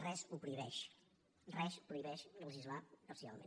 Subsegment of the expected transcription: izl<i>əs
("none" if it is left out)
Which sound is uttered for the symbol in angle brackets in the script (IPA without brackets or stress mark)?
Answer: a